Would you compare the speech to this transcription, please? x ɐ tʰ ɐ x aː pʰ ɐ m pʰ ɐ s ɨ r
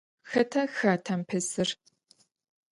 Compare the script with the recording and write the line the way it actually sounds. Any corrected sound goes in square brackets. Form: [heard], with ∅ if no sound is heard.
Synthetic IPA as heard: x ɐ tʰ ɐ x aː [tʰ] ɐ m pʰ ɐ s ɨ r